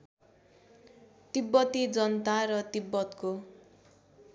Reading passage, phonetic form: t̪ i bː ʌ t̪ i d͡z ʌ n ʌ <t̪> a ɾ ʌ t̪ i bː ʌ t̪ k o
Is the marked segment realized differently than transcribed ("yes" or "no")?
no